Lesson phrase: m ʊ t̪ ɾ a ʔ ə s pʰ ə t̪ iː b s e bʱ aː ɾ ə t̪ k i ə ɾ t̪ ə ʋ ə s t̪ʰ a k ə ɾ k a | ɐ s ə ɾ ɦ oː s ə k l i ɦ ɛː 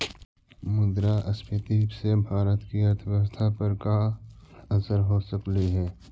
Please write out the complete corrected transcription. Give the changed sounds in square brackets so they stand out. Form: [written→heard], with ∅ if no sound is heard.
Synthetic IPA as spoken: m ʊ [t̪→d̪] ɾ a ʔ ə s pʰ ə t̪ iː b s e bʱ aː ɾ ə t̪ k i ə ɾ [t̪→t̪ʰ] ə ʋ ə s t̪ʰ a [k→p] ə ɾ k a | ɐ s ə ɾ ɦ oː s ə k l i ɦ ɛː